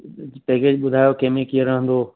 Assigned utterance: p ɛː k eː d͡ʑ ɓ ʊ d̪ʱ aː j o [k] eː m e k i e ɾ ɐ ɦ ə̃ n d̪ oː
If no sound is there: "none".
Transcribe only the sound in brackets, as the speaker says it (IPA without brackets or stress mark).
k